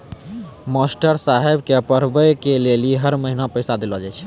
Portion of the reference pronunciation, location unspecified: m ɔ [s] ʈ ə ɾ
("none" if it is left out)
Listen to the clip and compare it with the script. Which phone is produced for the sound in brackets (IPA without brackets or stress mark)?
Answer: s